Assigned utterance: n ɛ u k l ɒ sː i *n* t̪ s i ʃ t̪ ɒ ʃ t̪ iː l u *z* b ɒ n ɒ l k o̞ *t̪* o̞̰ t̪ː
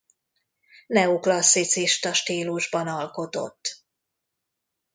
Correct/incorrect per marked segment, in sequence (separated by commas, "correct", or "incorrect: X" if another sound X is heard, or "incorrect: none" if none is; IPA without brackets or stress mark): incorrect: none, incorrect: ʒ, correct